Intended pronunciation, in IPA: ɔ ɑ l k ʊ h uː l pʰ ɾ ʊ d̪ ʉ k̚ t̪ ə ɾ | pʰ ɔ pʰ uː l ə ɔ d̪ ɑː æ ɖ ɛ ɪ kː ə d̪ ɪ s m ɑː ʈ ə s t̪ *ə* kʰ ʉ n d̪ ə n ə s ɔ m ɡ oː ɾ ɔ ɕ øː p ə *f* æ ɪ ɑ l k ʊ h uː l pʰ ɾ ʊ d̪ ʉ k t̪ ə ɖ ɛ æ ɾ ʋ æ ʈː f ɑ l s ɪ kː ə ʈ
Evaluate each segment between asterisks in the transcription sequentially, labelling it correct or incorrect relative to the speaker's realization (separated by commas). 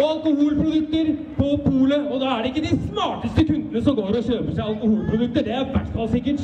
correct, incorrect